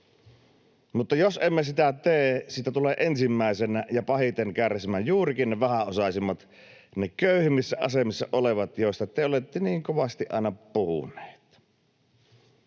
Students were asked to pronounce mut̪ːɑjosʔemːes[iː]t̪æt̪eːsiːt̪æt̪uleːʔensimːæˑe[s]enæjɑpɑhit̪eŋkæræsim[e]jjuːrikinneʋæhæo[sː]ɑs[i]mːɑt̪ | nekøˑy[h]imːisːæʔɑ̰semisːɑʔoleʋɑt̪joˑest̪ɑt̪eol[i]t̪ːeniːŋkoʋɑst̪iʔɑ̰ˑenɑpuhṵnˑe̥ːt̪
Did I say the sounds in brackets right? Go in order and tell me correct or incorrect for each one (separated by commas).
incorrect, correct, incorrect, incorrect, correct, correct, incorrect